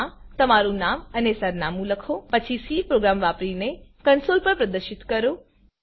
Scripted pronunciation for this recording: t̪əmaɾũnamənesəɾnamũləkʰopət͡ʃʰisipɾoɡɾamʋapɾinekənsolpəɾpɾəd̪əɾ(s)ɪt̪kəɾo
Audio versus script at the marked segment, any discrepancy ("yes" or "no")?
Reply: yes